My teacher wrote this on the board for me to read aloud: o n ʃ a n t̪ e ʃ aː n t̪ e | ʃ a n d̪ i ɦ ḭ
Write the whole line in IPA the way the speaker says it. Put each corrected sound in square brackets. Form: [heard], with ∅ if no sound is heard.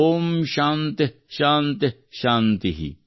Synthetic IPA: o [m] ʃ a n t̪ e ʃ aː n t̪ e | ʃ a n [t̪] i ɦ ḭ